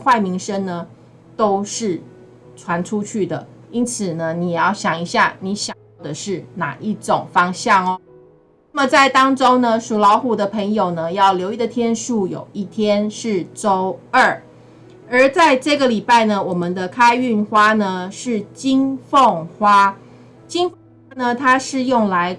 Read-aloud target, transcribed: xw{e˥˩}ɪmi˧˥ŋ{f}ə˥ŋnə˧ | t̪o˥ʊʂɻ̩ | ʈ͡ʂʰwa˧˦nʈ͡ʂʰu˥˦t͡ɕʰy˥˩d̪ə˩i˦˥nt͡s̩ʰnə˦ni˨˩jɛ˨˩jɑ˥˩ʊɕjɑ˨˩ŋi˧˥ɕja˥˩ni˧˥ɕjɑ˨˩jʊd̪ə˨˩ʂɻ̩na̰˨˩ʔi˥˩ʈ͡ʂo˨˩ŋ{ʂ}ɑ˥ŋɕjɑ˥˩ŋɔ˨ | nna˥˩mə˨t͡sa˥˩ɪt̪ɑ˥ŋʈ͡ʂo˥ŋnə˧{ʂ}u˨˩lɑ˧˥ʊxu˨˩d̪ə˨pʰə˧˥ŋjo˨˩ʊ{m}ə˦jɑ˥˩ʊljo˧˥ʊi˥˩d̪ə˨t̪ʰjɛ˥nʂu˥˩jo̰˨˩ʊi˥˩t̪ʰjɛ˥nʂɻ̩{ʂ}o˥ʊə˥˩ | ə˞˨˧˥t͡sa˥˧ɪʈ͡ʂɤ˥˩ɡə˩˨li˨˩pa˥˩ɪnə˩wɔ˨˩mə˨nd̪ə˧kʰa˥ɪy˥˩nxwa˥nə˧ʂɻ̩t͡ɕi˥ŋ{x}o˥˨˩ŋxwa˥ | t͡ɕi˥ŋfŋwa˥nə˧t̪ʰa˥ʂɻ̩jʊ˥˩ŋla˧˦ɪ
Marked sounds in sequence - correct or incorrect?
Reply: incorrect, incorrect, incorrect, correct, incorrect, incorrect, incorrect

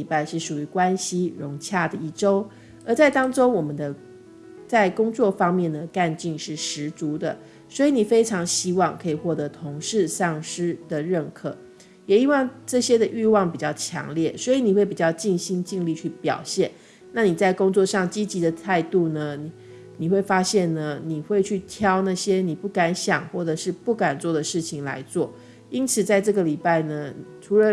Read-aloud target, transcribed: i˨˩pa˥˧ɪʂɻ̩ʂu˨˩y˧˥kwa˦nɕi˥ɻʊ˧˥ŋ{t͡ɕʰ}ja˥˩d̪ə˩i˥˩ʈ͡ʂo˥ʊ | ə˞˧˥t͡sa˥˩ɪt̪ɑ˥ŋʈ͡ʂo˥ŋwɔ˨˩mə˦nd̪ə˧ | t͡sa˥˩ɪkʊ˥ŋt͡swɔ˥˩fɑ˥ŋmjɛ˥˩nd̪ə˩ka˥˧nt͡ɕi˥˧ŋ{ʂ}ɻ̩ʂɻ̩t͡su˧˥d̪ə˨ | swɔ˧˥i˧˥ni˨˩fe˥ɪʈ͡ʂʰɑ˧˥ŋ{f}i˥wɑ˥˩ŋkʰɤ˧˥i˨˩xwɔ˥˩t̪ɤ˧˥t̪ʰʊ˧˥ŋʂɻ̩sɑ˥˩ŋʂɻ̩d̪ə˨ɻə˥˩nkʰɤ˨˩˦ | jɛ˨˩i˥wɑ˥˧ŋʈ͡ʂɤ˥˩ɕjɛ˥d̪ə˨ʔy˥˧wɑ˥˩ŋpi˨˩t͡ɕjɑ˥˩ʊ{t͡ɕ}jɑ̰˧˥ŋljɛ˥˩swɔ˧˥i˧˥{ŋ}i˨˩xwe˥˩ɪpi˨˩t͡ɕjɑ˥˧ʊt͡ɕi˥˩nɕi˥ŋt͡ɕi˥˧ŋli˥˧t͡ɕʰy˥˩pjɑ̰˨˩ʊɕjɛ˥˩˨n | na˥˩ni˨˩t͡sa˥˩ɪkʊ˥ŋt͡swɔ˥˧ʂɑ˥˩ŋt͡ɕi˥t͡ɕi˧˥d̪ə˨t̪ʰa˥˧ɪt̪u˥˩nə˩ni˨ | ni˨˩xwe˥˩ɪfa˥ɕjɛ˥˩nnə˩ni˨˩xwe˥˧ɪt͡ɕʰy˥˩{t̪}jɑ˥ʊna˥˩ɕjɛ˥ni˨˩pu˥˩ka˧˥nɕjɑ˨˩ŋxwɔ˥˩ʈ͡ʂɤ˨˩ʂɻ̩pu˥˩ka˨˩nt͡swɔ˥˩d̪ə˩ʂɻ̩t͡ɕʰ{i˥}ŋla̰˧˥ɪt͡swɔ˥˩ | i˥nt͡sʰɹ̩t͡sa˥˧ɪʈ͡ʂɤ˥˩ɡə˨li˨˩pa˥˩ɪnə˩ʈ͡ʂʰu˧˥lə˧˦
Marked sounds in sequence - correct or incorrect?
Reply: correct, correct, incorrect, incorrect, incorrect, incorrect, incorrect

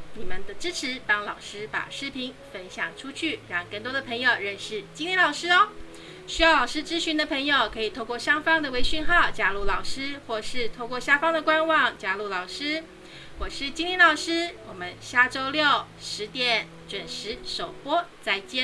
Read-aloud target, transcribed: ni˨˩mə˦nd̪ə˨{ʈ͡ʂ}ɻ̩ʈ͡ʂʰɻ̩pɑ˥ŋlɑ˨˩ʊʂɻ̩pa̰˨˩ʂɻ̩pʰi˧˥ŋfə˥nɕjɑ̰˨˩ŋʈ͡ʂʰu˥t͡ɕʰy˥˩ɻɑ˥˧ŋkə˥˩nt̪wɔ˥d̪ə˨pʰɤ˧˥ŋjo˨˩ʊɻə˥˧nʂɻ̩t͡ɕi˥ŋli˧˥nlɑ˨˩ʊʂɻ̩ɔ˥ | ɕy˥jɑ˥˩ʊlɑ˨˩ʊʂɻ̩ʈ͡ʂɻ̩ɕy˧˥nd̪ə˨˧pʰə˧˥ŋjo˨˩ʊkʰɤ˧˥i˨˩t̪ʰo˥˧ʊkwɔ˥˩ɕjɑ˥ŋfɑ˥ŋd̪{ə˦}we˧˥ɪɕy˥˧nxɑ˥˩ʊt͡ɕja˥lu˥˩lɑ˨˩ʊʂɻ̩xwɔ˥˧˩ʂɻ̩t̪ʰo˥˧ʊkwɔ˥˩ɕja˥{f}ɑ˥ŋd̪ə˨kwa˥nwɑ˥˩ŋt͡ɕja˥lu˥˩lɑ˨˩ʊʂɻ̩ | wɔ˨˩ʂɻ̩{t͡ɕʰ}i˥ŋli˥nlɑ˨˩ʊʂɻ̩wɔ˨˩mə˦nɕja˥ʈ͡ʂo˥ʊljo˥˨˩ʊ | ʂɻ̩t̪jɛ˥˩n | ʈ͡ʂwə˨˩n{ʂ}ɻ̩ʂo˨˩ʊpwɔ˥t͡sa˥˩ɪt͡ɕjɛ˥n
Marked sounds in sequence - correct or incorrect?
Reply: correct, incorrect, correct, incorrect, correct

